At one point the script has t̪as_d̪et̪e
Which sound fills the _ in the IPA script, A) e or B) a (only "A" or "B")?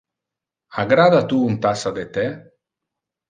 B